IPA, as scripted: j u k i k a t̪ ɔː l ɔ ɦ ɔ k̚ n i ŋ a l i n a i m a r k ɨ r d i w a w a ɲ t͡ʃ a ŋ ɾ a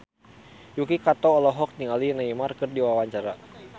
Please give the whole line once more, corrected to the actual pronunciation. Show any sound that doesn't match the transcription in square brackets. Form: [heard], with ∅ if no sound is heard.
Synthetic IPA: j u k i k a t̪ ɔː l ɔ ɦ ɔ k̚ n i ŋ a l i n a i m a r k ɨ r d i w a w a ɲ t͡ʃ a [∅] ɾ a